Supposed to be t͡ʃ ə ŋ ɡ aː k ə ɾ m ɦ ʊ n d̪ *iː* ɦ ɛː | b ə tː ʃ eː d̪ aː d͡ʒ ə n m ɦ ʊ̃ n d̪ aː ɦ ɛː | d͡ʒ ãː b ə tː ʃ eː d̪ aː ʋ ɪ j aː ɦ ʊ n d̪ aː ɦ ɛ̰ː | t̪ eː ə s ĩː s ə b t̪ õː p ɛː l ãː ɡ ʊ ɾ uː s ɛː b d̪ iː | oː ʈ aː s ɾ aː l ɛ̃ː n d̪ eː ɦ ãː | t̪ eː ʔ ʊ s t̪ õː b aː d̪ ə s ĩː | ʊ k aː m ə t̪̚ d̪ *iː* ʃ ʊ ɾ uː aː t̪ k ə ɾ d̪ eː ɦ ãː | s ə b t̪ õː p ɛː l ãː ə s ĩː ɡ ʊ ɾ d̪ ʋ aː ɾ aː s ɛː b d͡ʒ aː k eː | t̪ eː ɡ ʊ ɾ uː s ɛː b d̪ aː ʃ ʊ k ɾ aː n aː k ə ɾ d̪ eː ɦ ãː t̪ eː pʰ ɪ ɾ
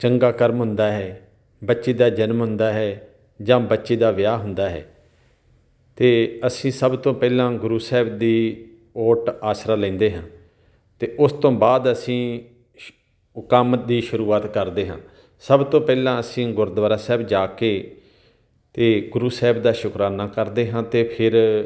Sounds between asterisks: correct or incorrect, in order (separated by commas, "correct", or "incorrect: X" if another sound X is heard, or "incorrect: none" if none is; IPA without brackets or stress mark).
incorrect: aː, correct